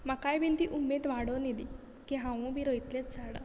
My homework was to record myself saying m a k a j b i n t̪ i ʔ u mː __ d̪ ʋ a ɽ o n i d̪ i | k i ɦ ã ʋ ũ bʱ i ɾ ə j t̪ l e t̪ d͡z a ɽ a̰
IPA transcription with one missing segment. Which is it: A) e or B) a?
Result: A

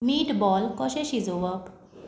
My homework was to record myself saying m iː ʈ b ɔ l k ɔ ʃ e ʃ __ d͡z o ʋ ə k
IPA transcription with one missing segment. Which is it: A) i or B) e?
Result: A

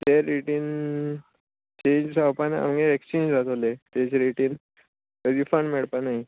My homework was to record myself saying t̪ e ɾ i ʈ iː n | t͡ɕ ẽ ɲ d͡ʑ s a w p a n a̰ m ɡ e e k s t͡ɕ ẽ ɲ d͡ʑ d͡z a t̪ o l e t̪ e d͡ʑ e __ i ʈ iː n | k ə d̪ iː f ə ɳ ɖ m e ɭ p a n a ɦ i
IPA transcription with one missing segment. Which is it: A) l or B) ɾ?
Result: B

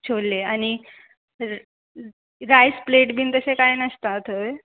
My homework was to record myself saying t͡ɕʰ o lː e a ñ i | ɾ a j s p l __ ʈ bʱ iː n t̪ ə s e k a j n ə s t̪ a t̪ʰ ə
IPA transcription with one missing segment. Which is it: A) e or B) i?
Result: A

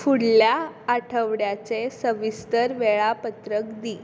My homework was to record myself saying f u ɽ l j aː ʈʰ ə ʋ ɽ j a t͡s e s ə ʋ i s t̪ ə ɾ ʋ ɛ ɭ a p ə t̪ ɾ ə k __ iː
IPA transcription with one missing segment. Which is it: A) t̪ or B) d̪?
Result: B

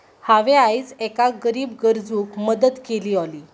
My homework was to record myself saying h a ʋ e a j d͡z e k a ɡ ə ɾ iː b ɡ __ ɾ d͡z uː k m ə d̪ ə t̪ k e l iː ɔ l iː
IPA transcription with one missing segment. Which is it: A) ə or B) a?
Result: A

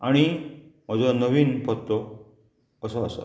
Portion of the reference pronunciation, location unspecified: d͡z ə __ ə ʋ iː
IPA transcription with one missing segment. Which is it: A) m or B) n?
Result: B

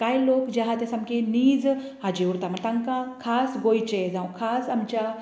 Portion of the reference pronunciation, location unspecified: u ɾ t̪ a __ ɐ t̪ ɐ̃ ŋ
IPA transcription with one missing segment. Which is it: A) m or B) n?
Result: A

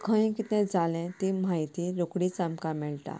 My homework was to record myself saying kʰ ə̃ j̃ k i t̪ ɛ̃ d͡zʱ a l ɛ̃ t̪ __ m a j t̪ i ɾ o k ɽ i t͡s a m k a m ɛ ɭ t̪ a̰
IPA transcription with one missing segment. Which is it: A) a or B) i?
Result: B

